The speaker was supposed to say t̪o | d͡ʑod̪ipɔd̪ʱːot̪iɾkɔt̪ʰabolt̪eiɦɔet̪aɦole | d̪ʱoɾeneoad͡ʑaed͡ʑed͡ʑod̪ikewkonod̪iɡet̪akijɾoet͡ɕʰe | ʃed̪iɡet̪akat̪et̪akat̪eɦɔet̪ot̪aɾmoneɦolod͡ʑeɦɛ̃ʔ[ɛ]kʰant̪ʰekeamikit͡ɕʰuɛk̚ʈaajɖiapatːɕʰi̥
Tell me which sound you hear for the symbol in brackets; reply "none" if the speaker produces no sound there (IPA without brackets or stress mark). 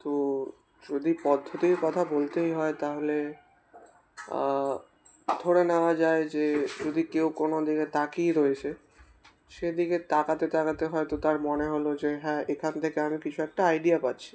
e